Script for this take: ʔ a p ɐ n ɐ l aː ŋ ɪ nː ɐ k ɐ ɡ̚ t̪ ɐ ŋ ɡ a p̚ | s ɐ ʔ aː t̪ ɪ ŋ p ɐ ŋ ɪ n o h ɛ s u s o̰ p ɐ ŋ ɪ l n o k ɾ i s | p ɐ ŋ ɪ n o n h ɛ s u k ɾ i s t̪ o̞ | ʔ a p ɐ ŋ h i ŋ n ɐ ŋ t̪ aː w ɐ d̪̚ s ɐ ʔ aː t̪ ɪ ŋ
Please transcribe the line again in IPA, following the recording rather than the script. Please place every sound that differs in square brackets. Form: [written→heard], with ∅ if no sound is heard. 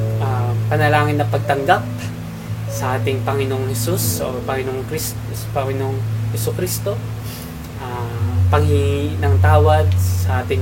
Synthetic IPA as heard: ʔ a p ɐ n ɐ l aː ŋ ɪ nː ɐ [k→p] ɐ ɡ̚ t̪ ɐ ŋ ɡ a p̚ | s ɐ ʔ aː t̪ ɪ ŋ p ɐ ŋ ɪ n o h ɛ s u s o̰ p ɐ ŋ ɪ [l→∅] n o k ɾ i s | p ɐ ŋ ɪ n o [n→ŋ] h ɛ s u k ɾ i s t̪ o̞ | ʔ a p ɐ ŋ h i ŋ n ɐ ŋ t̪ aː w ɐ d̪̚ s ɐ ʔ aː t̪ ɪ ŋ